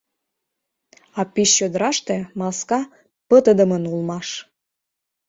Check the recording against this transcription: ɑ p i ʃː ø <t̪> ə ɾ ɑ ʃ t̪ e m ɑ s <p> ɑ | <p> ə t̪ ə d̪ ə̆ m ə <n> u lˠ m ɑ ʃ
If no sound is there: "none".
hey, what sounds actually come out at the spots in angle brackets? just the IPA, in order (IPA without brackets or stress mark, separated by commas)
d̪, k, p, n